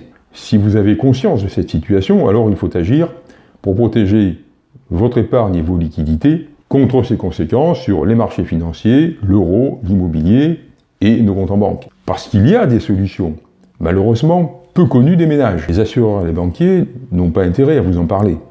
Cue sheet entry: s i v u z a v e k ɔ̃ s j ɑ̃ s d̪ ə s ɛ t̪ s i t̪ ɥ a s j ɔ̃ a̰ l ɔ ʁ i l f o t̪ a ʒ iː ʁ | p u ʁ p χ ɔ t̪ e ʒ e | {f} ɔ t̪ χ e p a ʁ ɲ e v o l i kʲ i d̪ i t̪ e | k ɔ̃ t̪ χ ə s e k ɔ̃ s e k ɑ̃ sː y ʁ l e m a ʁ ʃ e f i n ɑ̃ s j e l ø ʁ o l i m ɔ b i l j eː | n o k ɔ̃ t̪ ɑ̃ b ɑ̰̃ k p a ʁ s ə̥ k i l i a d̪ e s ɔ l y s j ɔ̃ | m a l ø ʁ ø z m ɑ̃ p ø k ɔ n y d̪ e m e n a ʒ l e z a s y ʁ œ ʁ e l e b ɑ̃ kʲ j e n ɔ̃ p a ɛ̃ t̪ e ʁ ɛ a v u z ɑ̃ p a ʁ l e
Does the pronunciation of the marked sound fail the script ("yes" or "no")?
yes